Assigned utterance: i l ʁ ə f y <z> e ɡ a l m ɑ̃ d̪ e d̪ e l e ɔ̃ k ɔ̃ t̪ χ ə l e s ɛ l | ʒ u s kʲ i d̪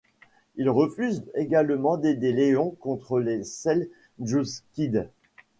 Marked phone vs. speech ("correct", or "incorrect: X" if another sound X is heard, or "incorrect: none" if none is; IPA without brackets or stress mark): correct